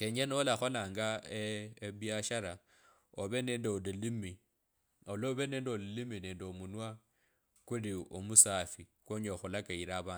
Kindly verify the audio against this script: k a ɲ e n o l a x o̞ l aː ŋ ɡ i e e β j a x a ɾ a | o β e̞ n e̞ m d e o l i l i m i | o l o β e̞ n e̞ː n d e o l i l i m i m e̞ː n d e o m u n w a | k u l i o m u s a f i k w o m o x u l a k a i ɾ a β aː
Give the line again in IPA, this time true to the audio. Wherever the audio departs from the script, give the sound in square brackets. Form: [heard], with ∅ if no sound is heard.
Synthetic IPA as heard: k [e] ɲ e n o l a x o̞ l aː ŋ ɡ [a] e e β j a [ʃ] a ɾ a | o β e̞ n e̞ [n] d e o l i l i m i | o l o β e̞ n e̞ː n d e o l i l i m i [n] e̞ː n d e o m u n w a | k u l i o m u s a f i k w o [ɲ] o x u l a k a i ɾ a β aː